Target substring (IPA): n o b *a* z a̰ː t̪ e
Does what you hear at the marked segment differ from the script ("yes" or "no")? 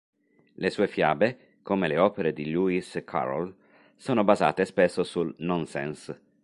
no